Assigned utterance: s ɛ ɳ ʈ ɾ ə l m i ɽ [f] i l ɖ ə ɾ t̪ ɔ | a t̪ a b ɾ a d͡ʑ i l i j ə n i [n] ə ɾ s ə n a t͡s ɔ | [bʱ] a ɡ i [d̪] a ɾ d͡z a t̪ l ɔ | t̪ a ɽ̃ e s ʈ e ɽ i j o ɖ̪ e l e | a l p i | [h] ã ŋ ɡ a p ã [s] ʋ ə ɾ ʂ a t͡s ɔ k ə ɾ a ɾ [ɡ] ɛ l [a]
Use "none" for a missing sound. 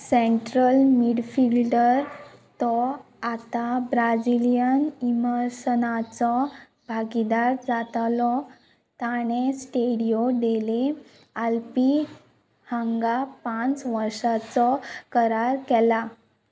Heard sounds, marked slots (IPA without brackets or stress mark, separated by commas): f, m, bʱ, d̪, h, t͡s, k, a